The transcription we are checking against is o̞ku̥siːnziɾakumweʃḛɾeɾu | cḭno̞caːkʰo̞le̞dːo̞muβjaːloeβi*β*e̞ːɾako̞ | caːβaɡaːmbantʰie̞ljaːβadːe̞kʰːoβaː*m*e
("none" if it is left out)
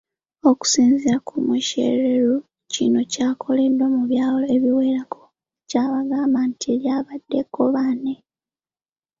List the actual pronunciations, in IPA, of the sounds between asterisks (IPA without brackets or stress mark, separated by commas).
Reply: w, n